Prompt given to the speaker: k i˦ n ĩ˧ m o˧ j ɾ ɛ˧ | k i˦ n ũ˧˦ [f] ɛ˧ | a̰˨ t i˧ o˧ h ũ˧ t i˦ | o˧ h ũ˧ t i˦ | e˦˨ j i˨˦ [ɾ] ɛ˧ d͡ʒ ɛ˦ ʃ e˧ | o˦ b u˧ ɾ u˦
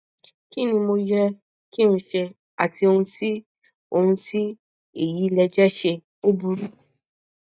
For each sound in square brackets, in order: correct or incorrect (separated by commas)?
incorrect, incorrect